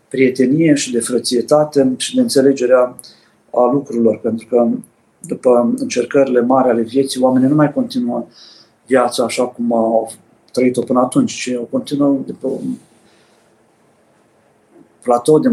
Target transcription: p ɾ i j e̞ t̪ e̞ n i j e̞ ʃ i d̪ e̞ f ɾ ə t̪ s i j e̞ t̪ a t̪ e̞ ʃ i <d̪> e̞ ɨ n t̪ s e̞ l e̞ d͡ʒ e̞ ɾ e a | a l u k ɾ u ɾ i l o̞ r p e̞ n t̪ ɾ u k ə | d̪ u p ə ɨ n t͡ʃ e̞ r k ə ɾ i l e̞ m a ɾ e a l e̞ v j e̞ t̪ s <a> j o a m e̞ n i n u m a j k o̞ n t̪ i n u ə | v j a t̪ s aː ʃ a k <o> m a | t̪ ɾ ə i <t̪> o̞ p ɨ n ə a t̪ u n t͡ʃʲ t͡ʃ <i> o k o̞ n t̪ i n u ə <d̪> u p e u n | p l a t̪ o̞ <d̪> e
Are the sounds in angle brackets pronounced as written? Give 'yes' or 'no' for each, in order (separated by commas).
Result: yes, no, no, yes, yes, yes, yes